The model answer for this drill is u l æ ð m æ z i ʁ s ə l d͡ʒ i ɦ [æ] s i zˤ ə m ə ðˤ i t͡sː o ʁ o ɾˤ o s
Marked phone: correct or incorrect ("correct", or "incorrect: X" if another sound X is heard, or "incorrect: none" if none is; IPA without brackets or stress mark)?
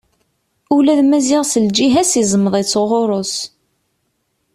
correct